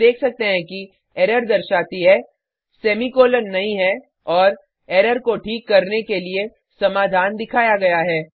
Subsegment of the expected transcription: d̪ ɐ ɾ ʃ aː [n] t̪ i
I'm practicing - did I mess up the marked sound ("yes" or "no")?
yes